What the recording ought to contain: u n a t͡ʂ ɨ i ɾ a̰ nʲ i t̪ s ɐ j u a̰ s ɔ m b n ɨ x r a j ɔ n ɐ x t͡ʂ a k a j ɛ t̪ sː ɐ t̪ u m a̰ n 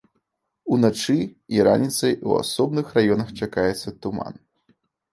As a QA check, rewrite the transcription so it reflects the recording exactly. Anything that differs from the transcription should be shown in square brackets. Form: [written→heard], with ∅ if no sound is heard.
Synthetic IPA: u n a t͡ʂ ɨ i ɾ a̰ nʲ i t̪ s ɐ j u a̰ s ɔ [m→∅] b n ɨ x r a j ɔ n ɐ x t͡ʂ a k a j ɛ t̪ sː ɐ t̪ u m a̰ n